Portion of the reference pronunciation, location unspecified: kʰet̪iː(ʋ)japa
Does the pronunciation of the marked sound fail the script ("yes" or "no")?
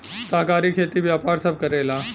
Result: no